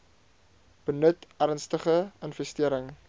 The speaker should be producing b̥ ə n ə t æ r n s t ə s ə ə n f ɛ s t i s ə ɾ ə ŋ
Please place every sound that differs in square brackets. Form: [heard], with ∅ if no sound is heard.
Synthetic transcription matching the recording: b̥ ə n ə t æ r n s t ə [χ] ə ə n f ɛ s t i [∅] ə ɾ ə ŋ